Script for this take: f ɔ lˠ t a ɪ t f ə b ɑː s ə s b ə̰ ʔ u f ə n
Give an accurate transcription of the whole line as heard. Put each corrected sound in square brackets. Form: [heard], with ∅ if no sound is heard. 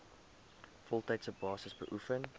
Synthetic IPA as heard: f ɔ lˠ t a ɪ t [s] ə b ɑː s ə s b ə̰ ʔ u f ə n

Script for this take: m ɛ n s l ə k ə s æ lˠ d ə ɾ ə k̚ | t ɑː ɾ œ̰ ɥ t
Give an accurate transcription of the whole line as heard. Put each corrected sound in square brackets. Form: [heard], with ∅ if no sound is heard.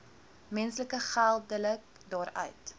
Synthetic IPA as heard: m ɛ n s l ə k ə [χ] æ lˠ d ə [l] ə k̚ | [d] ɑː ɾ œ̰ ɥ t

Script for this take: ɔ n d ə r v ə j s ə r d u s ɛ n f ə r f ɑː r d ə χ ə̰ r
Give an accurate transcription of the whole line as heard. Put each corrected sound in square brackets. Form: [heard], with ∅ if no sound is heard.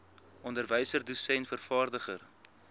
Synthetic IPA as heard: ɔ n d ə r v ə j s ə r d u s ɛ n f ə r f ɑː r d ə χ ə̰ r

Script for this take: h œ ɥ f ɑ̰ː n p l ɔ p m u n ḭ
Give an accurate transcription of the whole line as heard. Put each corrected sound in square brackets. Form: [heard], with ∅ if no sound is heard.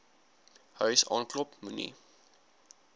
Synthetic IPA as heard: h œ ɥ [s] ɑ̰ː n [k] l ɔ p m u n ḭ

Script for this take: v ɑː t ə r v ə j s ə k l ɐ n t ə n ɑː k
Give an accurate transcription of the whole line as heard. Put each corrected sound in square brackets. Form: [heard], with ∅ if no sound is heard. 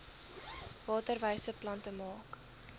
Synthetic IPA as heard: v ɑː t ə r v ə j s ə [p] l ɐ n t ə [m] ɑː k

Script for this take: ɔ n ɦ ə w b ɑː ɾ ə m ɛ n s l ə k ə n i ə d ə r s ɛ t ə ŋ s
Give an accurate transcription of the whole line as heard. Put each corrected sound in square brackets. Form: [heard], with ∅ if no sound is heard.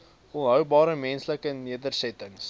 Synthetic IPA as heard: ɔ n ɦ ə w b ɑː ɾ ə m ɛ n s l ə k ə n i ə d ə r s ɛ t ə ŋ s

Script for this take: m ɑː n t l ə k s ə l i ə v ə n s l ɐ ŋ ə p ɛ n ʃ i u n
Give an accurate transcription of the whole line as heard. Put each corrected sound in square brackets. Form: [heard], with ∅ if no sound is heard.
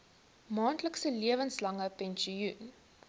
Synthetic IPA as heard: m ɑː n t l ə k s ə l i ə v ə n s l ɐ ŋ ə p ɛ n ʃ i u n

